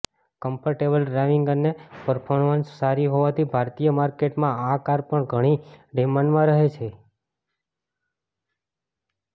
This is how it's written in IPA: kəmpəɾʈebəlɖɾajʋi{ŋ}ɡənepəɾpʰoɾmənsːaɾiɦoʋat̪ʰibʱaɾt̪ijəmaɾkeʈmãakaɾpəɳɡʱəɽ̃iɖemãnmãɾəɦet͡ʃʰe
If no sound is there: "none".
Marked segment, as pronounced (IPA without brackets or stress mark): ŋ